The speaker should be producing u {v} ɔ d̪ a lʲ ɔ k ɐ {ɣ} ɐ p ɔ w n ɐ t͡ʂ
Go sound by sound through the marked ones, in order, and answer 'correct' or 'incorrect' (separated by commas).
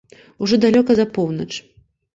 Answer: incorrect, incorrect